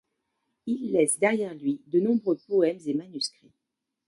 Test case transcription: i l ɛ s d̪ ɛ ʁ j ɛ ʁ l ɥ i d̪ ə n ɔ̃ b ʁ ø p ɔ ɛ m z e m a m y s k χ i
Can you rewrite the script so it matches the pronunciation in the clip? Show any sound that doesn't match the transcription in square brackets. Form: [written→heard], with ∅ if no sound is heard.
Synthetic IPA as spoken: i [l→lː] ɛ s d̪ ɛ ʁ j ɛ ʁ l ɥ i d̪ ə n ɔ̃ b ʁ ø p ɔ ɛ m z e m a [m→n] y s k χ i